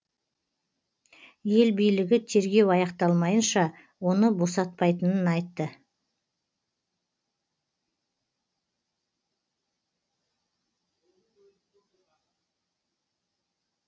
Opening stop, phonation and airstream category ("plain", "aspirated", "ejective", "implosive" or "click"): plain